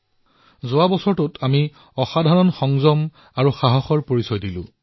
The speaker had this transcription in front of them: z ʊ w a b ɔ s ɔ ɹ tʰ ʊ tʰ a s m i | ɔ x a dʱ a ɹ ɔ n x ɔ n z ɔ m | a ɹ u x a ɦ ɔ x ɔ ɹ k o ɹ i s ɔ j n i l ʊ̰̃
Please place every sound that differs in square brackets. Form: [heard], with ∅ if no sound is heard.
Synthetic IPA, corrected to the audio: z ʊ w a b ɔ s ɔ ɹ [t] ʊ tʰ a [∅] m i | ɔ x a dʱ a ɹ ɔ n x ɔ [ŋ] z ɔ m | a ɹ u x a ɦ ɔ x ɔ ɹ [p] o ɹ i s ɔ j [d] i l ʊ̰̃